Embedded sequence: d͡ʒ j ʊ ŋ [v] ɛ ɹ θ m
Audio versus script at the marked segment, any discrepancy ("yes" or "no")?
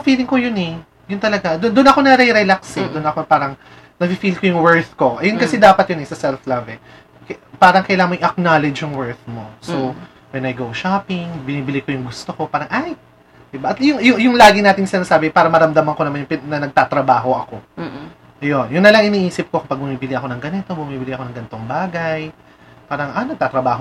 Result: yes